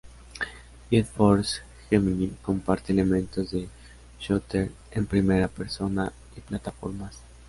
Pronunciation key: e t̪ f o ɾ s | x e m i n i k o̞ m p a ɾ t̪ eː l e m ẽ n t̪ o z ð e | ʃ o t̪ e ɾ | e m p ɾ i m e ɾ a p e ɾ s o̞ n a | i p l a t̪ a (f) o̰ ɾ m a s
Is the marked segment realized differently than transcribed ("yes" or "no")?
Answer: no